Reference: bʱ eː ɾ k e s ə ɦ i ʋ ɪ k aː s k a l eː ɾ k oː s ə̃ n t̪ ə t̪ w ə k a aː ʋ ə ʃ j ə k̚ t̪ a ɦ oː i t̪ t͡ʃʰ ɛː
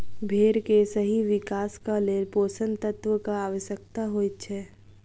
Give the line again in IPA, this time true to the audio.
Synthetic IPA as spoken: bʱ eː ɾ k e s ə ɦ i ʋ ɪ k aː s k a l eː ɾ p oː s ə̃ n t̪ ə t̪ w ə k a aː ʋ ə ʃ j ə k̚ t̪ a ɦ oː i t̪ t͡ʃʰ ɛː